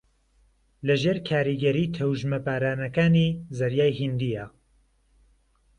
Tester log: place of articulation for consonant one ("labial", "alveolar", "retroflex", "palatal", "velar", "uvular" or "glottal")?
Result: alveolar